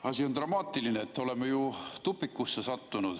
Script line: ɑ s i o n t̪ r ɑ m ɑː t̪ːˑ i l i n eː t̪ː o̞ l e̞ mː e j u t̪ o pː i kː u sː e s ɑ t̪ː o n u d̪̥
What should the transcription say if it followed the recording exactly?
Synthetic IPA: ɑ s i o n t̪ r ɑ m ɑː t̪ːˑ i l i n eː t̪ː o̞ l e̞ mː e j u t̪ u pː i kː u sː e s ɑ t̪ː u n u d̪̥